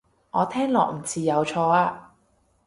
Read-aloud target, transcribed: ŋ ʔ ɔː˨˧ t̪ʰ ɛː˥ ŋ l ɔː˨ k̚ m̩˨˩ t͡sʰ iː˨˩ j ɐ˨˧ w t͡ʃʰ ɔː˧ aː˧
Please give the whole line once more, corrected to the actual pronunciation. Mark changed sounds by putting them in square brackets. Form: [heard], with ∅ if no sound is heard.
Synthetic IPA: ŋ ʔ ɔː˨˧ t̪ʰ ɛː˥ ŋ l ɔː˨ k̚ m̩˨˩ t͡sʰ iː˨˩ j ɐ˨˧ w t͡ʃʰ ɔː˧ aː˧